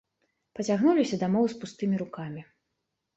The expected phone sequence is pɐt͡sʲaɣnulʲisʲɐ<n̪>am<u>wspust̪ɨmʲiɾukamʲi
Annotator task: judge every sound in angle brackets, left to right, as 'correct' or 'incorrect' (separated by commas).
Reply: incorrect, incorrect